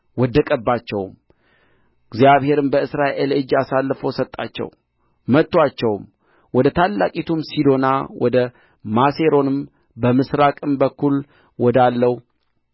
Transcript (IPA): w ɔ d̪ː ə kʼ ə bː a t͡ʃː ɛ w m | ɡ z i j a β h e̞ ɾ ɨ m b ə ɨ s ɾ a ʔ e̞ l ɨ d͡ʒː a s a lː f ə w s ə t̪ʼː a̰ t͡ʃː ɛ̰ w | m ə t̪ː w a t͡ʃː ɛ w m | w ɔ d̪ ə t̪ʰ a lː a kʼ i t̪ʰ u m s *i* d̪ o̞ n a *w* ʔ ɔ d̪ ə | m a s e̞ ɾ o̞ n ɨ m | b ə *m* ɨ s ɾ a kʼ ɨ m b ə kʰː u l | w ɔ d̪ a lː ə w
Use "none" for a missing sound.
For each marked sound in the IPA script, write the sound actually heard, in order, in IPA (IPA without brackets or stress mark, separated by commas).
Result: i, w, m